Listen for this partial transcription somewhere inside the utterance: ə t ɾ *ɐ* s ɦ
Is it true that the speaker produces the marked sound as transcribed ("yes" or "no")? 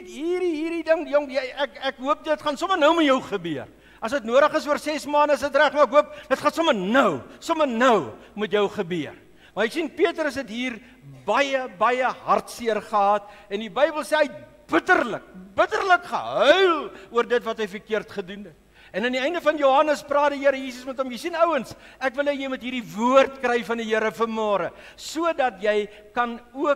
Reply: no